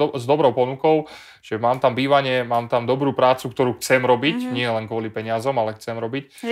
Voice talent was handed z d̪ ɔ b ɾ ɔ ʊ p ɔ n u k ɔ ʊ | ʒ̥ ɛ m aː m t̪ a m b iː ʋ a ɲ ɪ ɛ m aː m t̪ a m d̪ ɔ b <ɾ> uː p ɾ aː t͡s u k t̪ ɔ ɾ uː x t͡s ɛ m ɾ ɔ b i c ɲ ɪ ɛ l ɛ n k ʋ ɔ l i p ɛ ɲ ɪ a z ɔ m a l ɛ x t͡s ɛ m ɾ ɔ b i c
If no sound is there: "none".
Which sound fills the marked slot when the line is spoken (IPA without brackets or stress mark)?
ɾ